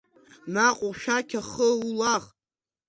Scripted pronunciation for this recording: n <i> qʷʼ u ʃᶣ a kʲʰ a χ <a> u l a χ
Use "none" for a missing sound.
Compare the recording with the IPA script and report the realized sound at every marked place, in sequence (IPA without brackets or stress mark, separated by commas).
a, ə